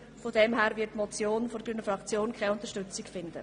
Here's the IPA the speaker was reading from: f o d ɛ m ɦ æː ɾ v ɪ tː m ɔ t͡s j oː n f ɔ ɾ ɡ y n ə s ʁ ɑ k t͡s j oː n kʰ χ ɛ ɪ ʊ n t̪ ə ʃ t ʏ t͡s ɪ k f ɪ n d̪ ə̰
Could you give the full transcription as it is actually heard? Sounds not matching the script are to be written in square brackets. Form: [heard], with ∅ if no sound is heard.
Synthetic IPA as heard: f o d ɛ m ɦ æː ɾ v ɪ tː m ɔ t͡s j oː n f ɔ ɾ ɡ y n ə [f] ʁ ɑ k t͡s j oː n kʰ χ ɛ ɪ ʊ n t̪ ə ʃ t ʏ t͡s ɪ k f ɪ n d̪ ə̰

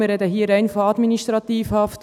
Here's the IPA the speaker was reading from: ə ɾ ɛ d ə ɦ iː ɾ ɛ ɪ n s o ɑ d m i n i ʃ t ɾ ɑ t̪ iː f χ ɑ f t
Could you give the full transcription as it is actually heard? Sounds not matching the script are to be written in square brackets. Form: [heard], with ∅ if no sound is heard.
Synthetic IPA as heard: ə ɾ ɛ d ə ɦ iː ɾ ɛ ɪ n [f] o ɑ d m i n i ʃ t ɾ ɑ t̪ iː f [h] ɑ f t

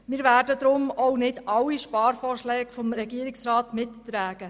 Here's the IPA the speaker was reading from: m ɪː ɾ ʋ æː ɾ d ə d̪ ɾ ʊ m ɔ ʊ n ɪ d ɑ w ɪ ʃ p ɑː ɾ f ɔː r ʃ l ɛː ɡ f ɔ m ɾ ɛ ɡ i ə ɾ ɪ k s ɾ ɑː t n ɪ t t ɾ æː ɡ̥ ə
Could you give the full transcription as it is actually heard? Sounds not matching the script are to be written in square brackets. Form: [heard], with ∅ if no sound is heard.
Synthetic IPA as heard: m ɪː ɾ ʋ æː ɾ d ə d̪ ɾ ʊ m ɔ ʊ n ɪ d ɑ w [i] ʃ p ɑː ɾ f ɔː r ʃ l ɛː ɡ f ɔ m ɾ ɛ ɡ i ə ɾ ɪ k s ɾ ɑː t [m] ɪ t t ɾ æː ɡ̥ ə

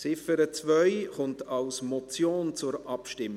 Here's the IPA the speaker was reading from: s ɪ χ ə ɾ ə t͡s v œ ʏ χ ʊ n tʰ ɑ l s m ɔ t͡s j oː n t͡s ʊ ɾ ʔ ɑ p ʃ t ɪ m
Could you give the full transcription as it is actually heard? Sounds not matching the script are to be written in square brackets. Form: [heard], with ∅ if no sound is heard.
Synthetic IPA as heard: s ɪ [f] ə ɾ ə t͡s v œ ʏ χ ʊ n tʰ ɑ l s m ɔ t͡s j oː n t͡s ʊ ɾ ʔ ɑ p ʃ t ɪ m

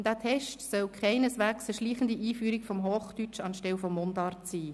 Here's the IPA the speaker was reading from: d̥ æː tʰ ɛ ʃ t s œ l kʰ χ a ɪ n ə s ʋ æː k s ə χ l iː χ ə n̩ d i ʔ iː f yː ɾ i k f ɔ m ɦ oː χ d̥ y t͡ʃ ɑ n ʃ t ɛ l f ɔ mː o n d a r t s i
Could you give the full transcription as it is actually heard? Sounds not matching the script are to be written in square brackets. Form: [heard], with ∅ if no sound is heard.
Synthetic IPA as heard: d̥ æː tʰ ɛ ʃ t s œ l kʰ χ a ɪ n ə s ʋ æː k s ə [ʃ] l iː χ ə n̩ d i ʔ iː f yː ɾ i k f ɔ m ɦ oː χ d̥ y t͡ʃ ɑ n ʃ t ɛ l f ɔ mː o n d [ɑ] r t s [iː]

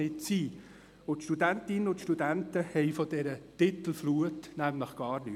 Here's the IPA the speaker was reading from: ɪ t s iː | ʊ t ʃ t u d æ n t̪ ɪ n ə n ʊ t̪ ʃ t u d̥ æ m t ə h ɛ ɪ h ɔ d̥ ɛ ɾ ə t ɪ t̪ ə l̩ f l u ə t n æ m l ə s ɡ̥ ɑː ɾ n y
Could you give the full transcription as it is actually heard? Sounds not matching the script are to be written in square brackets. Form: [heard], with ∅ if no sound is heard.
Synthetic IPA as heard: ɪ t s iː | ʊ t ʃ t u d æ n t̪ ɪ n ə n ʊ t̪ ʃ t u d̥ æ [n] t ə h ɛ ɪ [f] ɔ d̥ ɛ ɾ ə t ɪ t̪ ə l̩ f l u ə t n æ m l ə [χ] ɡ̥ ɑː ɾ n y

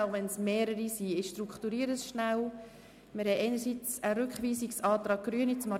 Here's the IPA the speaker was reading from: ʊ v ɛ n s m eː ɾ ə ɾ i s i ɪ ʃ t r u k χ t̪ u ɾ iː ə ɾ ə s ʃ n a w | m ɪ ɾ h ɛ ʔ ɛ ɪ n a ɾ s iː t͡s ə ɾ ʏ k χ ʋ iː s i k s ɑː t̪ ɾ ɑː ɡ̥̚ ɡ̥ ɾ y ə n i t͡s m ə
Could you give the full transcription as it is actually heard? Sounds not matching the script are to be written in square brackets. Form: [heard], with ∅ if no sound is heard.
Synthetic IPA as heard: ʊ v ɛ n s m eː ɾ ə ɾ i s i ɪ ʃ t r u k χ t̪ u ɾ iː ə ɾ ə s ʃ n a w | m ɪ ɾ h ɛ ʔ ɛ ɪ n [ə] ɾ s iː t͡s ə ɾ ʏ k χ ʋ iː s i k s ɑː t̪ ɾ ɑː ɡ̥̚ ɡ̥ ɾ y ə n i t͡s m [ɑ]

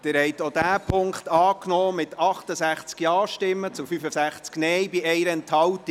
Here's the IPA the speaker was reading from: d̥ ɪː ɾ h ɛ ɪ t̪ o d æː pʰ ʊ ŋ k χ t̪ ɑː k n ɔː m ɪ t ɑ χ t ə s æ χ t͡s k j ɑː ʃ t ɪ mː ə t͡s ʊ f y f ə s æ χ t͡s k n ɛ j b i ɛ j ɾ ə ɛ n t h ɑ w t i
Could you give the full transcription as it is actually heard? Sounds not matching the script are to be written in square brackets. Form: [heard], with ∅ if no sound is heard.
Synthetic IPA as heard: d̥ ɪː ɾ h ɛ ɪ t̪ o d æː pʰ ʊ ŋ k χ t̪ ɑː k n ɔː m ɪ t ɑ χ t ə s æ χ t͡s k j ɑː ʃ t ɪ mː ə t͡s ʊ f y f ə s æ χ t͡s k n ɛ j b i ɛ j ɾ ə ɛ n t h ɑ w t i

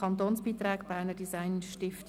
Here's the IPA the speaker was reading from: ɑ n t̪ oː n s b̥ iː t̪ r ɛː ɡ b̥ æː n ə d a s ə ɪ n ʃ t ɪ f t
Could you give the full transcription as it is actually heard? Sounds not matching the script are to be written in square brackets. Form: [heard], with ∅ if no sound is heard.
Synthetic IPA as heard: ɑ n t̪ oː n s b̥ iː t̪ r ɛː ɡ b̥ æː n ə d [i] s [a] ɪ n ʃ t ɪ f t

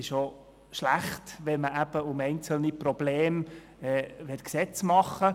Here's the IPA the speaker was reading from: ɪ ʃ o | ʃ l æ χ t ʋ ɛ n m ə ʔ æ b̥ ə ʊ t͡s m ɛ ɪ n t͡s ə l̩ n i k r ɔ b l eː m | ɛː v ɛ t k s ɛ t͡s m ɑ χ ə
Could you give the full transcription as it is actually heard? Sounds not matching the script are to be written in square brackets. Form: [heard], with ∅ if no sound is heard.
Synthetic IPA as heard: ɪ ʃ o | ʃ l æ χ t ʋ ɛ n m ə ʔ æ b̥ ə ʊ [∅] m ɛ ɪ n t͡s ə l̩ n i [p] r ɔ b l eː m | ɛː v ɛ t k s ɛ t͡s m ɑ χ ə

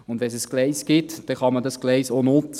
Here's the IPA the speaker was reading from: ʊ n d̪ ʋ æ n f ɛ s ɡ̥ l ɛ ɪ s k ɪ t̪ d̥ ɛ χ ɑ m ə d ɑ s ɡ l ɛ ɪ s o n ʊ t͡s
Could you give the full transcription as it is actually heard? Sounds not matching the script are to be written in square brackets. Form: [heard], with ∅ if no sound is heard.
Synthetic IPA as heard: ʊ n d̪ ʋ [ɛ] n [s] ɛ s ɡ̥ l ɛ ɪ s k ɪ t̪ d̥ ɛ χ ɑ m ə d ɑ s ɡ l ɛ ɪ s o n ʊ t͡s

